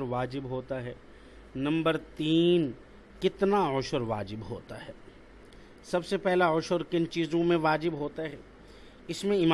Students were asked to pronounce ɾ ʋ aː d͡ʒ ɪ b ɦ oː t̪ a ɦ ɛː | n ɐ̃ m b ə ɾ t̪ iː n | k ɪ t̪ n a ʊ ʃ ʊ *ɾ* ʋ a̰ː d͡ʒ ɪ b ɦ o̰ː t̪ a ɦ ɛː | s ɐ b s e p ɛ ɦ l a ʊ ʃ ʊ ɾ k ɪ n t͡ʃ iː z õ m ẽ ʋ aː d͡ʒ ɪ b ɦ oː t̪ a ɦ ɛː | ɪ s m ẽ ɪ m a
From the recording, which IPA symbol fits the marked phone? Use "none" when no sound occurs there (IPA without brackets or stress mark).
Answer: ɾ